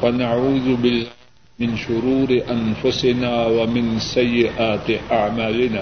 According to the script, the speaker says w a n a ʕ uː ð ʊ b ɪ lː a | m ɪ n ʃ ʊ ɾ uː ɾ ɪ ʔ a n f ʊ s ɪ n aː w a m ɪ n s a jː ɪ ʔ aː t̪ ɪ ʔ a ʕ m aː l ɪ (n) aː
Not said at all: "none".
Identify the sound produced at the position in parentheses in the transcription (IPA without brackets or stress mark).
n